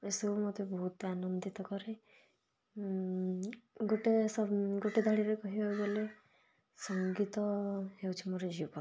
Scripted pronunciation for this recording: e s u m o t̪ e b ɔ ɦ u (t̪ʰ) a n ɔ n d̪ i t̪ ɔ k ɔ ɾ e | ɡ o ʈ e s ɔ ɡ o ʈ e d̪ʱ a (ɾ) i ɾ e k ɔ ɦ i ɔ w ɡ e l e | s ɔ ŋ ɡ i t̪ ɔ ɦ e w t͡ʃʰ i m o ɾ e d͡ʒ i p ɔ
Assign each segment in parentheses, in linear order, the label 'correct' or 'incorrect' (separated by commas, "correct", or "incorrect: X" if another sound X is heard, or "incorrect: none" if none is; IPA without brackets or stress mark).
incorrect: t̪, incorrect: ɽ